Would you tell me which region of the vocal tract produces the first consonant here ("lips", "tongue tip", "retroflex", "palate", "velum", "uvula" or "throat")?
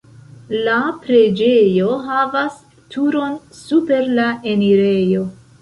tongue tip